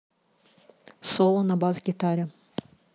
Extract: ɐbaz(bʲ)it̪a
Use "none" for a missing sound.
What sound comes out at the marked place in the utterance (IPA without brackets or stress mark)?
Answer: ɡʲ